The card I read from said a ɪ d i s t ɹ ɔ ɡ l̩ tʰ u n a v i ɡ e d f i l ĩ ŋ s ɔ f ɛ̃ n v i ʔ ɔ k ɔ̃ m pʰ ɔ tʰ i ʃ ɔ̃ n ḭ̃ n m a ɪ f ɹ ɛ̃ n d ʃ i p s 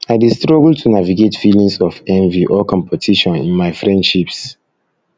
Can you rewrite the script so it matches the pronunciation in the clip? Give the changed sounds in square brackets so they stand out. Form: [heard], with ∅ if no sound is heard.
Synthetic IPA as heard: a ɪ d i s t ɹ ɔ ɡ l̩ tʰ u n a v i ɡ e [t] f i l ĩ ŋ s ɔ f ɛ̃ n v i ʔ ɔ k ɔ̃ m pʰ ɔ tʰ i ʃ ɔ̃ n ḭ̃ n m a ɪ f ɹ ɛ̃ n d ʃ i p s